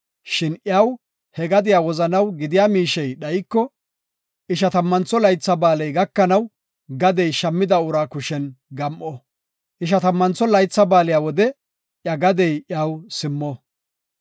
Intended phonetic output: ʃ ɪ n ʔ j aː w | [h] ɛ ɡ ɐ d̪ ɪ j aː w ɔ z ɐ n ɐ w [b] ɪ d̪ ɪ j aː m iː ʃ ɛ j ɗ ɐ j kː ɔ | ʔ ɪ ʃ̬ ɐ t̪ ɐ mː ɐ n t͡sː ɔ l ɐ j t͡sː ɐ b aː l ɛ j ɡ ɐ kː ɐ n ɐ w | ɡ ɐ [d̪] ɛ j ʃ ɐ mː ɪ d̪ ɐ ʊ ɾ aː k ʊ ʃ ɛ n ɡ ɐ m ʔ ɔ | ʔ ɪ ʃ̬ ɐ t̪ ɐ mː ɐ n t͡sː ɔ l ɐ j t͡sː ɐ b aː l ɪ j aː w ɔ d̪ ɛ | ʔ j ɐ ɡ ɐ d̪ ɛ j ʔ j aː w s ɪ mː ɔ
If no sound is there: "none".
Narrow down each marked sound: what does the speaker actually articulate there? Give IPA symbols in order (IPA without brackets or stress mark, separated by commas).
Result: h, ɡ, d̪